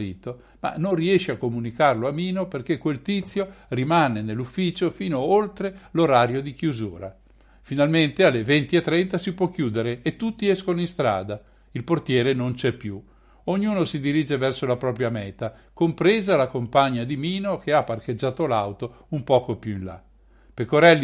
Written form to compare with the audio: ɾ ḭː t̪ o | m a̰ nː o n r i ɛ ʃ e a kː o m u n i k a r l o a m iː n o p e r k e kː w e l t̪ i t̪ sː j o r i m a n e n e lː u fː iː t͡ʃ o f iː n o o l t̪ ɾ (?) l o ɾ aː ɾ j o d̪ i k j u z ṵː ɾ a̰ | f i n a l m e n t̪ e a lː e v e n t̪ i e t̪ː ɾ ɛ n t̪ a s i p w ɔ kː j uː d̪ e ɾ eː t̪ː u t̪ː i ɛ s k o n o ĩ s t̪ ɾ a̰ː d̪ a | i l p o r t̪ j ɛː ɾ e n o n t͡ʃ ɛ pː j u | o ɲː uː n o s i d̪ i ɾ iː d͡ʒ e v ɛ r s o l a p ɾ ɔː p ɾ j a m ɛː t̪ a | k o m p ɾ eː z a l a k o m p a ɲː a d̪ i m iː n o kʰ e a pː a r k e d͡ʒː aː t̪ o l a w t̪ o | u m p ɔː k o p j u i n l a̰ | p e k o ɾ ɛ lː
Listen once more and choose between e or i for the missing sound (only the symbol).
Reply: e